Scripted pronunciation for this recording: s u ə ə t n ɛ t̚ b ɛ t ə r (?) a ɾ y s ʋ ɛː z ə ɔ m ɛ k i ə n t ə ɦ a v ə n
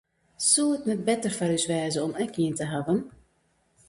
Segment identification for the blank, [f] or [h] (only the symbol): f